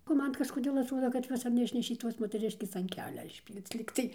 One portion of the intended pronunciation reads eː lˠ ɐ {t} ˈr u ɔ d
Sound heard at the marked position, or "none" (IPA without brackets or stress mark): t